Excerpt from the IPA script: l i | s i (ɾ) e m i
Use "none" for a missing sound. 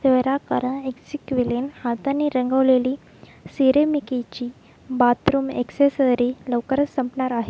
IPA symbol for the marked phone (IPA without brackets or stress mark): ɾ